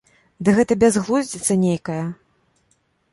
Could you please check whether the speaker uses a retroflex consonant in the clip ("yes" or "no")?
no